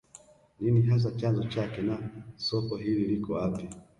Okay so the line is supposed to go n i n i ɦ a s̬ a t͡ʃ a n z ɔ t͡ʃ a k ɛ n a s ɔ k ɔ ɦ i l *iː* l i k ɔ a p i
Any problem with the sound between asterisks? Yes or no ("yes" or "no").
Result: yes